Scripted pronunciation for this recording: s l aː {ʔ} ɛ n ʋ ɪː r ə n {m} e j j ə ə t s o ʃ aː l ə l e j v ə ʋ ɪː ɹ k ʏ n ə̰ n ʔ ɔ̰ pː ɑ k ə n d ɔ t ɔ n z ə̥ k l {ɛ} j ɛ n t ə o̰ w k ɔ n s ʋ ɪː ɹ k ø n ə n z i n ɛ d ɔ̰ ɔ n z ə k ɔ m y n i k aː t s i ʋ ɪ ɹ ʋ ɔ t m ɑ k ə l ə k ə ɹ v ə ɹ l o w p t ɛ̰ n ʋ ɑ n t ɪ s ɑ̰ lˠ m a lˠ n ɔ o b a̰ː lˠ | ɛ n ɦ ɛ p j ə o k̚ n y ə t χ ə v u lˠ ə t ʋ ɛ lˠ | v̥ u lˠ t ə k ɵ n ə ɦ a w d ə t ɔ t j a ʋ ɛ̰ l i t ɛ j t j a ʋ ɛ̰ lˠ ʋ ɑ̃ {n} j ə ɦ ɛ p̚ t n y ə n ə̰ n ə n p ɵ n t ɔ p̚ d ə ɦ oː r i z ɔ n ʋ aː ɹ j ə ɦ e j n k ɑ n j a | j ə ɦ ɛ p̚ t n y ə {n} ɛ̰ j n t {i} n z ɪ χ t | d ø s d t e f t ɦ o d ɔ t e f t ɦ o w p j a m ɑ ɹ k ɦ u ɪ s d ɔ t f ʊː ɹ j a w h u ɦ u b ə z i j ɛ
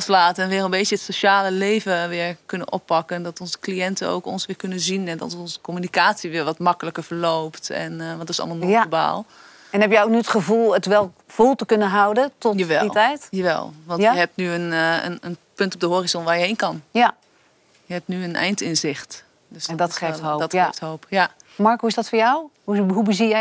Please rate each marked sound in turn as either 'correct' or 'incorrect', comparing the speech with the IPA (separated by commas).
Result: incorrect, incorrect, incorrect, correct, correct, incorrect